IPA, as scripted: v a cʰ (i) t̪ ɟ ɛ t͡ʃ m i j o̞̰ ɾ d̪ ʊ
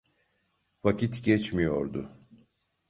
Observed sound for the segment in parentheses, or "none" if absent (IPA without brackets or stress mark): i